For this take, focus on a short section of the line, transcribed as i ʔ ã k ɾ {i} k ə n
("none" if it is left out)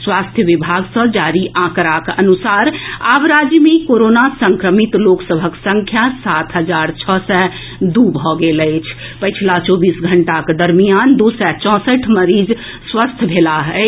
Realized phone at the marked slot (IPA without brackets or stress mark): a